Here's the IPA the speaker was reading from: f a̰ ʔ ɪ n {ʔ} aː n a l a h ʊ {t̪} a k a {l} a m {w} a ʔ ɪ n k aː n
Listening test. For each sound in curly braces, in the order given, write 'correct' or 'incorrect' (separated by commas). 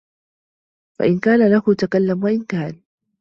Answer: incorrect, correct, incorrect, correct